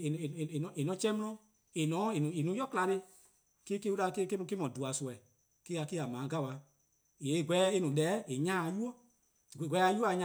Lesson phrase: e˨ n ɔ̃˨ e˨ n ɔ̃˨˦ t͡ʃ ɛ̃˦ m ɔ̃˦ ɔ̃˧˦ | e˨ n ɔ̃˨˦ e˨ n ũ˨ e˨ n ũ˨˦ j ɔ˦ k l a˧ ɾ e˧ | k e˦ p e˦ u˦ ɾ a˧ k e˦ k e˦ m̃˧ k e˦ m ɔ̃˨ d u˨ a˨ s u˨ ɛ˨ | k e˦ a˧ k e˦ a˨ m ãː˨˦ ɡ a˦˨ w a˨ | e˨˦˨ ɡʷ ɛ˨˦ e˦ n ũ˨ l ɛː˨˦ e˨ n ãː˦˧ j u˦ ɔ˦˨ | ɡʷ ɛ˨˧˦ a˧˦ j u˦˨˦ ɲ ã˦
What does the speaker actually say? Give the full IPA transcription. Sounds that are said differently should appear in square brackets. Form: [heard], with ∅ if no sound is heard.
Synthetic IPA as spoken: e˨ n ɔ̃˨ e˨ n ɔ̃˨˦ t͡ʃ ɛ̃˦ m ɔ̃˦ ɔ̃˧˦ | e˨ n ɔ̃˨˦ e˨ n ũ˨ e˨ n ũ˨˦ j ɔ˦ k l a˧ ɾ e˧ | k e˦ [k] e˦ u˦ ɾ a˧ k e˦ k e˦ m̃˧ k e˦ m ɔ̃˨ d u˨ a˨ s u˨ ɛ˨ | k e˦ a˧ k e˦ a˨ m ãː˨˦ ɡ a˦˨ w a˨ | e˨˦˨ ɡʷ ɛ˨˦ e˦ n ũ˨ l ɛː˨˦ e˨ [ɲ] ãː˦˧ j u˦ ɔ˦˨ | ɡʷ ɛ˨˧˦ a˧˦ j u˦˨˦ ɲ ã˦